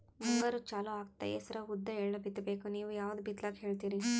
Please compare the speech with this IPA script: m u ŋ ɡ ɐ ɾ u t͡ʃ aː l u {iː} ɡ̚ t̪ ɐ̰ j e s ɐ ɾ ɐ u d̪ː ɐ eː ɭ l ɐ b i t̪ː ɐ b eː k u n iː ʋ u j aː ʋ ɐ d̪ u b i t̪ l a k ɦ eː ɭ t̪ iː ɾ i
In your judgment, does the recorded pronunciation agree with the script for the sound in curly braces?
no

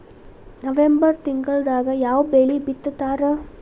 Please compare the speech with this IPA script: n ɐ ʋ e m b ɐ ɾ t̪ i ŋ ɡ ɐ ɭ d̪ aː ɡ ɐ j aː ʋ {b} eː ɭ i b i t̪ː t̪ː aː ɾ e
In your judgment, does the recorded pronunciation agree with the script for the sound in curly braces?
yes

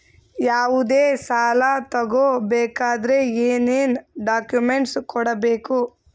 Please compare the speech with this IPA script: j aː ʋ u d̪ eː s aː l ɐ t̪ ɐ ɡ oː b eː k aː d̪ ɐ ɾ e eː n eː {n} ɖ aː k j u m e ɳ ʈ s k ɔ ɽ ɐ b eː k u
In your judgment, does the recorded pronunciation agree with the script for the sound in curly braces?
yes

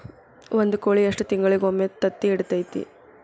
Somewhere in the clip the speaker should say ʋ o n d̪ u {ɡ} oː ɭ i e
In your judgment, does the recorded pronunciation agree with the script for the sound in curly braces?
no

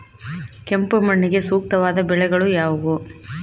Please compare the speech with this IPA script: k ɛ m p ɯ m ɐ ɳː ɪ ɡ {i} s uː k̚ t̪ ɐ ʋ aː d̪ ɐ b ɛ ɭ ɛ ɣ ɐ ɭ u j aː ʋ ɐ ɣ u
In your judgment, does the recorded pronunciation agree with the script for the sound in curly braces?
no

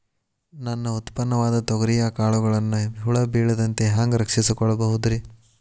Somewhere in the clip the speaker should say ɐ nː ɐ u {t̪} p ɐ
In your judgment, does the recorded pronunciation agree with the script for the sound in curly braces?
yes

